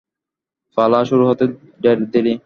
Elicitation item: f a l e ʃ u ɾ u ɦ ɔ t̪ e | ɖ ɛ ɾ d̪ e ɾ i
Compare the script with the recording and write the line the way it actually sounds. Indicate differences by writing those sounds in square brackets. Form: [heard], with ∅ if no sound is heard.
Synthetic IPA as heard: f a l [a] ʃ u ɾ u ɦ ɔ t̪ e | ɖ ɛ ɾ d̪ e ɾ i